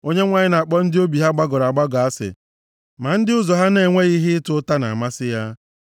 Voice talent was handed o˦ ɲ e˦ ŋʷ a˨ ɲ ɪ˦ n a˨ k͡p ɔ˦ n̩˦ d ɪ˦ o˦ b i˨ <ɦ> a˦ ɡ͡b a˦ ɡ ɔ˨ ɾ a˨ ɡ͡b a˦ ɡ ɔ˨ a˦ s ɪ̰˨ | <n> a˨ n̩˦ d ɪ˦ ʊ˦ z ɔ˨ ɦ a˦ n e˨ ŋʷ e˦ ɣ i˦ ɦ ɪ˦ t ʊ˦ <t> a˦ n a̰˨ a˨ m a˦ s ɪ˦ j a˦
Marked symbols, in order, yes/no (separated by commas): yes, no, yes